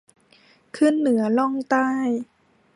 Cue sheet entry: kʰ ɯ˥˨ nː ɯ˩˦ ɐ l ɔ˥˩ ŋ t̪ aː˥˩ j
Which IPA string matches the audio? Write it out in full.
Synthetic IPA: kʰ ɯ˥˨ nː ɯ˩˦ ɐ l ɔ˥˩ ŋ t̪ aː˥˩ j